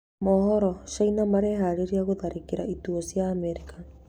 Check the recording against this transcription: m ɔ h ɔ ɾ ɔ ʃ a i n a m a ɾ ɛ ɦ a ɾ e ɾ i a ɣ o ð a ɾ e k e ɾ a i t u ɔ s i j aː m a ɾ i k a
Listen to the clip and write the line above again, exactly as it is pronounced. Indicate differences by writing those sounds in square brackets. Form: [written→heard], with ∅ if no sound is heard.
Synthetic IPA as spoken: m ɔ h ɔ ɾ ɔ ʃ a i n a m a ɾ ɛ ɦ a ɾ e ɾ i a ɣ o ð a ɾ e k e ɾ a i t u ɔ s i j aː m [a→ɛ] ɾ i k a